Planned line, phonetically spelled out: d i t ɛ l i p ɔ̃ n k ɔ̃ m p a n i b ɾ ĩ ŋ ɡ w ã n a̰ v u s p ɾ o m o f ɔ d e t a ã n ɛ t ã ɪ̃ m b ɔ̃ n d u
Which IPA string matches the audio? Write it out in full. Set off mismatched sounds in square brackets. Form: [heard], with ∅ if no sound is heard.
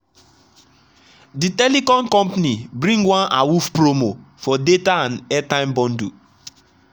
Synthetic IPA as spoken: d i t ɛ l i [k] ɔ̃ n k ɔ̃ m p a n i b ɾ ĩ ŋ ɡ w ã n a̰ [w] u [f] p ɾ o m o f ɔ d e t a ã n ɛ t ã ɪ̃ m b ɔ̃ n d u